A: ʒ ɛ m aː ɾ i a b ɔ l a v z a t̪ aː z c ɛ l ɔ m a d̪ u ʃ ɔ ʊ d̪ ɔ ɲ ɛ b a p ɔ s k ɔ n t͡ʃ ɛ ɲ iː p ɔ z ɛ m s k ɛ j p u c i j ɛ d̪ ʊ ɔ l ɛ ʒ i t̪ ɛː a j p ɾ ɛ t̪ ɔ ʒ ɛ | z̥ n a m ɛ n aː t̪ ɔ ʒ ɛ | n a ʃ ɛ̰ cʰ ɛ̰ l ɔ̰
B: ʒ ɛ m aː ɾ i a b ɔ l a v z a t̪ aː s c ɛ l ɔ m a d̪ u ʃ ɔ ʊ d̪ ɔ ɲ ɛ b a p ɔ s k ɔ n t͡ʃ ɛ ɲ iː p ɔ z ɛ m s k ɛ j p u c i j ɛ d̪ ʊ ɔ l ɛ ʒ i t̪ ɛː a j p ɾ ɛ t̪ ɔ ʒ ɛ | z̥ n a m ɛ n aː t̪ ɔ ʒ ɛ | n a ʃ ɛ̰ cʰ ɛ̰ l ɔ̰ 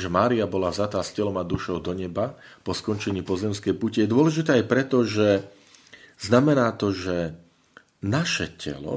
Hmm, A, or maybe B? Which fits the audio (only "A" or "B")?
B